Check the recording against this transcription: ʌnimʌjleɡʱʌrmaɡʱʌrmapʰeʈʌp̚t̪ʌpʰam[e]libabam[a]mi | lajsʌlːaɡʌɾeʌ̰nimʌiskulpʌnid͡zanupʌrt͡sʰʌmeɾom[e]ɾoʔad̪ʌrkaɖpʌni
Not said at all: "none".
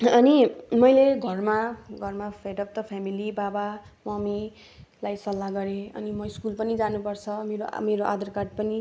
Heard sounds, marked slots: i, ʌ, e

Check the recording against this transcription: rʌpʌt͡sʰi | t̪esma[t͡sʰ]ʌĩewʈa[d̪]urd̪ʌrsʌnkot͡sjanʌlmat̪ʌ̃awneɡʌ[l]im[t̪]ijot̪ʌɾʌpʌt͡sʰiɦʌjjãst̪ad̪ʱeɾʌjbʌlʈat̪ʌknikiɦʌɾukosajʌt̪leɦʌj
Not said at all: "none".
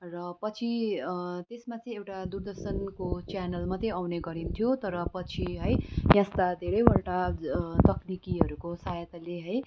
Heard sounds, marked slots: t͡s, d̪, ɾ, t̪ʰ

